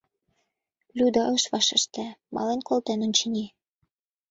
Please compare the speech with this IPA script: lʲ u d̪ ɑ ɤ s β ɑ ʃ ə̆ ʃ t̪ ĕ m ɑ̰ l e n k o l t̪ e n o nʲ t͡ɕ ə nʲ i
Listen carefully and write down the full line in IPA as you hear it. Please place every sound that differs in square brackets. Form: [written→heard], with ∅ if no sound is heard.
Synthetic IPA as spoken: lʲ u d̪ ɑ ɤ [s→ʃ] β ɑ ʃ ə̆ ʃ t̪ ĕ m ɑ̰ l e n k o l t̪ e n o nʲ t͡ɕ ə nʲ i